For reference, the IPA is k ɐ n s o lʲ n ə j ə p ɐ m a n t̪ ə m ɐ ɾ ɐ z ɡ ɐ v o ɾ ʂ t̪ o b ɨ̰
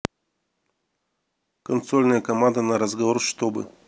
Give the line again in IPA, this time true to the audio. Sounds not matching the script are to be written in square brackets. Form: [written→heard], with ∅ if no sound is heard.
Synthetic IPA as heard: k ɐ n s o lʲ n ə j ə [p→k] ɐ m a n [t̪→d̪] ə [m→n] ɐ ɾ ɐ z ɡ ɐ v o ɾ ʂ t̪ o b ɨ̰